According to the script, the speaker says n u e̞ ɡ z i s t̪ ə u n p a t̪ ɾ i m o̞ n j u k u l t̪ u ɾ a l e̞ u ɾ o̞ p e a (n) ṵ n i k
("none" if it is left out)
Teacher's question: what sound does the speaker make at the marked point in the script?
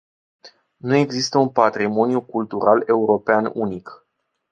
n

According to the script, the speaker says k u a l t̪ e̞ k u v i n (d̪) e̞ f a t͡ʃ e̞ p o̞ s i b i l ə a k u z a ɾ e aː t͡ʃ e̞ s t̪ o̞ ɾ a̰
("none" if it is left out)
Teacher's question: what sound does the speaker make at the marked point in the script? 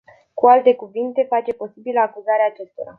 t̪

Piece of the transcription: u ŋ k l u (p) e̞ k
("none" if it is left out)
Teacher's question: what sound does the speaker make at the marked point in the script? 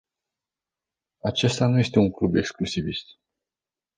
b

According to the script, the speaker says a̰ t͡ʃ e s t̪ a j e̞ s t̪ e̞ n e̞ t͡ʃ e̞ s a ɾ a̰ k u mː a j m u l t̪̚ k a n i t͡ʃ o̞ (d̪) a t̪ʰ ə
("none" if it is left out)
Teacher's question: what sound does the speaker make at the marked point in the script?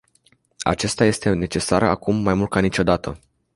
d̪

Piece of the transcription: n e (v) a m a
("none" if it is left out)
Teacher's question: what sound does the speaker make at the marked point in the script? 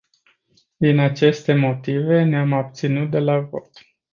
none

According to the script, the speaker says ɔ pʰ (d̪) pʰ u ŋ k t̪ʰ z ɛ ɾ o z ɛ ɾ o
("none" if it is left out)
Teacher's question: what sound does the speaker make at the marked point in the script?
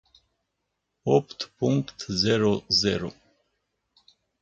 t̪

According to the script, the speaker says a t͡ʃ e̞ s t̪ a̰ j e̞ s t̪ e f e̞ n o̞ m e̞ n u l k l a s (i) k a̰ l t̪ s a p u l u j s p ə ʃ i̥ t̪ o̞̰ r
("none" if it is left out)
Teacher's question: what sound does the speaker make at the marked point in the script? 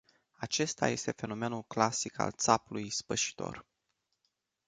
i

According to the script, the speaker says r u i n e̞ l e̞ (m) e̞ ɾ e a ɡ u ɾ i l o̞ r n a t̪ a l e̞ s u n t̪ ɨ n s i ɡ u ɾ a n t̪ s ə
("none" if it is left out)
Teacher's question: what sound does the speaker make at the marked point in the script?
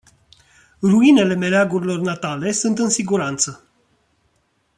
m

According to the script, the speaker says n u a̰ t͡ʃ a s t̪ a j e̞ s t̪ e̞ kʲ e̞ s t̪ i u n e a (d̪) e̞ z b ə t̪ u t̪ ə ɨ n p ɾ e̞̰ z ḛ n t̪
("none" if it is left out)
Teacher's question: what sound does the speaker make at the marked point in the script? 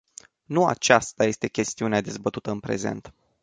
d̪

